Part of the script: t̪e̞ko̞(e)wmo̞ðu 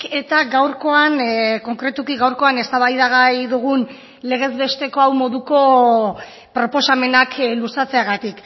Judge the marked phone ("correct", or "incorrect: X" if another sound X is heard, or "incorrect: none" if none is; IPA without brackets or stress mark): incorrect: a